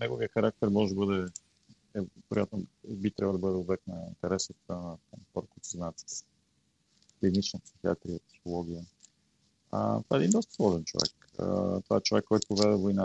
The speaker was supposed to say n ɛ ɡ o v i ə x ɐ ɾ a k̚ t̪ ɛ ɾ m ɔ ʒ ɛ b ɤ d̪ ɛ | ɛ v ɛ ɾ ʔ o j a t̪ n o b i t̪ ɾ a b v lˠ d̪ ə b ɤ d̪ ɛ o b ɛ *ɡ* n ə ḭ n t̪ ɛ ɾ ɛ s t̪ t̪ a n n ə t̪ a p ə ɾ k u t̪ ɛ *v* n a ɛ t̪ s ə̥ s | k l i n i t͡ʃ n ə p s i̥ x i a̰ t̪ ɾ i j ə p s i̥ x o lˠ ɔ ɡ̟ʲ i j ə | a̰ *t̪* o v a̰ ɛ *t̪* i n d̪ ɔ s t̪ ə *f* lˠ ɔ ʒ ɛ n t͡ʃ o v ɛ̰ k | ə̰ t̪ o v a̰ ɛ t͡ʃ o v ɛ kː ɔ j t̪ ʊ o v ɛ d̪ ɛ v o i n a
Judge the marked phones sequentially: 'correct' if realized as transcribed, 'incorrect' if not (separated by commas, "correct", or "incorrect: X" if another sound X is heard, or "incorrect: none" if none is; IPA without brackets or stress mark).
incorrect: k, incorrect: z, correct, incorrect: d̪, incorrect: s